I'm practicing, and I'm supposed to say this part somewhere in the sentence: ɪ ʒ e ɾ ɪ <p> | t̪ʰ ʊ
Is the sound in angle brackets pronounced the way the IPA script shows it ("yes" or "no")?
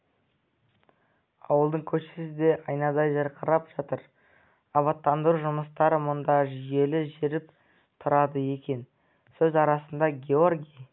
yes